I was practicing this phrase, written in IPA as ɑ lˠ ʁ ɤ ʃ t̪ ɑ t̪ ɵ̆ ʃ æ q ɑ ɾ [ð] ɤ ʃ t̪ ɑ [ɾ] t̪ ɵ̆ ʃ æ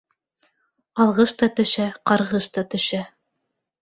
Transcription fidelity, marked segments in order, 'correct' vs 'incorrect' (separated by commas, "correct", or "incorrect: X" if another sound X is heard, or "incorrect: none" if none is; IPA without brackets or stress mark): incorrect: ʁ, incorrect: none